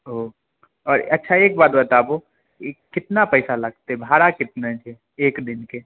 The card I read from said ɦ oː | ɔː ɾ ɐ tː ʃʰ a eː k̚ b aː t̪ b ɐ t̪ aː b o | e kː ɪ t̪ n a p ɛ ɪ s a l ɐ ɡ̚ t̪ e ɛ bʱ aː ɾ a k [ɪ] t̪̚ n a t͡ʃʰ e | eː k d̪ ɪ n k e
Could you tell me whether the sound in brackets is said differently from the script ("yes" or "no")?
no